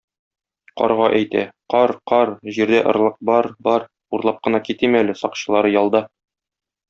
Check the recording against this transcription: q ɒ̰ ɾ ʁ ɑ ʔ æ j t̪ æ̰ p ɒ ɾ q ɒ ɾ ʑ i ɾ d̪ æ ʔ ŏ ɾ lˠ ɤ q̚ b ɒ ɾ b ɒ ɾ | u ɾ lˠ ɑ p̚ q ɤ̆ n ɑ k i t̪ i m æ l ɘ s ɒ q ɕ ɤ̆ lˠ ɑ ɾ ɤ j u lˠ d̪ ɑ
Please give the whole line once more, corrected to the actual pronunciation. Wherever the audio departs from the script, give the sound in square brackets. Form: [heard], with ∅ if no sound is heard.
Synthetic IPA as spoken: q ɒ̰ ɾ ʁ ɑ ʔ æ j t̪ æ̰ [q] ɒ ɾ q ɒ ɾ ʑ i ɾ d̪ æ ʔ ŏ ɾ lˠ ɤ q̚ b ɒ ɾ b ɒ ɾ | u ɾ lˠ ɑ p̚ q ɤ̆ n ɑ k i t̪ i m æ l ɘ s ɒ q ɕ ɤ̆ lˠ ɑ ɾ ɤ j [ɒ] lˠ d̪ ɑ